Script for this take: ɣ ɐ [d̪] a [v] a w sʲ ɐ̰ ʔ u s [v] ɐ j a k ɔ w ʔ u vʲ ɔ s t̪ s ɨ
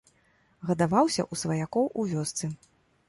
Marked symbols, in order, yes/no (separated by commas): yes, yes, yes